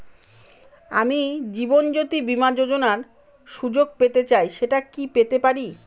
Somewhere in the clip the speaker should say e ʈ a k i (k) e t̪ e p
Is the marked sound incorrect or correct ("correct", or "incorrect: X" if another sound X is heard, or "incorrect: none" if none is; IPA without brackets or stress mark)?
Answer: incorrect: p